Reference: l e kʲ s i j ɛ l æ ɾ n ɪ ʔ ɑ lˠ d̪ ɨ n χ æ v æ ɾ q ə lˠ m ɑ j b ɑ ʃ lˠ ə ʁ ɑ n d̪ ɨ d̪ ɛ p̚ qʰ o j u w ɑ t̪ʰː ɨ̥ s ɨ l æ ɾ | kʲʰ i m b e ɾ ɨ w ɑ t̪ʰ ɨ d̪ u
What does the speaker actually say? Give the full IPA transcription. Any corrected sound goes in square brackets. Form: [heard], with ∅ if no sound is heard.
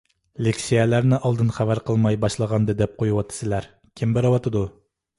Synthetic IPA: l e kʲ s i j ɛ l æ ɾ n ɪ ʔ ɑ lˠ d̪ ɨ n χ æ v æ ɾ q ə lˠ m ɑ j b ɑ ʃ lˠ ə ʁ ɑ n d̪ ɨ d̪ ɛ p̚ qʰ o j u w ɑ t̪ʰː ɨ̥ s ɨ l æ ɾ | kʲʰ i m b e ɾ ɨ w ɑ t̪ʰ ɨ d̪ u